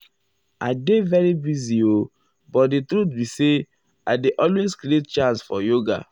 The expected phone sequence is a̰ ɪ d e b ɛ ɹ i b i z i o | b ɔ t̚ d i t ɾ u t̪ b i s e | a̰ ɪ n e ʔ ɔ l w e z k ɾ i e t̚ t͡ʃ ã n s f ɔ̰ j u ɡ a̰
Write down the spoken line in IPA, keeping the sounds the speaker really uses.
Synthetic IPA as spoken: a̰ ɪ d e v ɛ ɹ i b i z i o | b ɔ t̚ d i t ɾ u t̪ b i s e | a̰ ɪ d e ʔ ɔ l w e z k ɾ i e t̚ t͡ʃ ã n s f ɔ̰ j o ɡ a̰